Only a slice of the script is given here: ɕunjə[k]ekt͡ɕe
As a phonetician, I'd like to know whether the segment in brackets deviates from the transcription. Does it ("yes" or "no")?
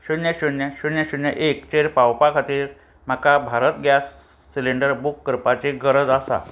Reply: yes